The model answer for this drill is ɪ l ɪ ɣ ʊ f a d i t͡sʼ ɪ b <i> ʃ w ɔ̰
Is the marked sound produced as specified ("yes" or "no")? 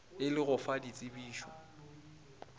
no